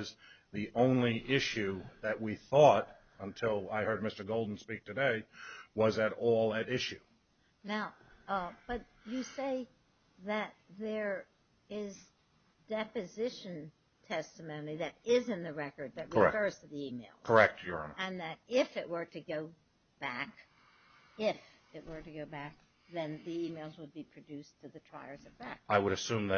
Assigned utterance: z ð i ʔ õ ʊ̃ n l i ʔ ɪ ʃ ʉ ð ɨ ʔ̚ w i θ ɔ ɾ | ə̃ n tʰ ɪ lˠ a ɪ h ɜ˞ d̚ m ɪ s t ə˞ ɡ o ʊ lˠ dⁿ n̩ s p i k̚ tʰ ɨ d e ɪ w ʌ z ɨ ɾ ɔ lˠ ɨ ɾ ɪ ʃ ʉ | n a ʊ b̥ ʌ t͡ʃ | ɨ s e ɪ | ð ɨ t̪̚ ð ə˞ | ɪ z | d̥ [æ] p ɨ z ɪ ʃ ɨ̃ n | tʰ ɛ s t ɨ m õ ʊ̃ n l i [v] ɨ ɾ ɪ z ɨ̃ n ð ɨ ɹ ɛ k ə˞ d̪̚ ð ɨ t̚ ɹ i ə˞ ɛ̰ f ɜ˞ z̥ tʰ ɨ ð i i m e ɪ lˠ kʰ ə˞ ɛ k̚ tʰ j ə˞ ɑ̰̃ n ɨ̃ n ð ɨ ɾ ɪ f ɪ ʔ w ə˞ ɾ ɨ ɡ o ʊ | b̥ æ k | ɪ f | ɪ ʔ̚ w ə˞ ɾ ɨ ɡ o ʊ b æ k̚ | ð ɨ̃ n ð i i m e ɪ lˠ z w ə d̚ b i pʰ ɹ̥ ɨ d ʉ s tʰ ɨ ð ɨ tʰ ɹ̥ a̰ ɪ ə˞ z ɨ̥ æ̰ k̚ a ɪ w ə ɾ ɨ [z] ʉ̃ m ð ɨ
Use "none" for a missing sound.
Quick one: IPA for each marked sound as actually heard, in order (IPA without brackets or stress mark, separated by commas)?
ɛ, ð, s